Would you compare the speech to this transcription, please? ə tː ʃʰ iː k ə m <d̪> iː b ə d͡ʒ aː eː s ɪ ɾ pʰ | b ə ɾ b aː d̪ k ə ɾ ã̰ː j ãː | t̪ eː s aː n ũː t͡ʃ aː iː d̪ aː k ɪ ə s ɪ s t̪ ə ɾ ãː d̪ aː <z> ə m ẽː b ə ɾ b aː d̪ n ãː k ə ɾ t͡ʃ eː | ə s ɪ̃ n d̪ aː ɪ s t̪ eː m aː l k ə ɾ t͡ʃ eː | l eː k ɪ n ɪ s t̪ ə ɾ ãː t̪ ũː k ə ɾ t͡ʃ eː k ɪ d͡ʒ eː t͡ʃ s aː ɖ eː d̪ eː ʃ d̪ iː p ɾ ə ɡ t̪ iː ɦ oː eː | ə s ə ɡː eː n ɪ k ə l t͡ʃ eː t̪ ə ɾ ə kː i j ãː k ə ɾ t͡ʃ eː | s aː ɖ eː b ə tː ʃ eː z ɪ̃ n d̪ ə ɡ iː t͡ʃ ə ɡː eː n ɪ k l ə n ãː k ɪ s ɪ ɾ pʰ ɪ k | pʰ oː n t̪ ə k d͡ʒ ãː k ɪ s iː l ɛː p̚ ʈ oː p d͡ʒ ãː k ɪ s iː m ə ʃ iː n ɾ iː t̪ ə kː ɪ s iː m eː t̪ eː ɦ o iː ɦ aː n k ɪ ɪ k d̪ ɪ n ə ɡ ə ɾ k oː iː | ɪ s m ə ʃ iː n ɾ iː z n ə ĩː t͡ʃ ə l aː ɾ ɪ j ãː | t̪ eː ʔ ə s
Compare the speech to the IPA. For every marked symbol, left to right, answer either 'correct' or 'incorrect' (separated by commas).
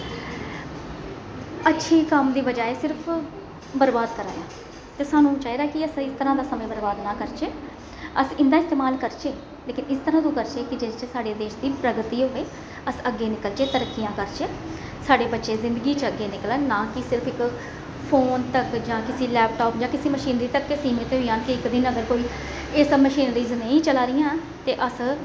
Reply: correct, incorrect